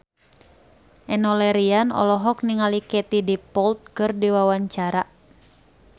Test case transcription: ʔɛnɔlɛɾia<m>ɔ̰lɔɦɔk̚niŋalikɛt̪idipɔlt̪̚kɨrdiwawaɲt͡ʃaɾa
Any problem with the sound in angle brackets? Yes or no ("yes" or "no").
yes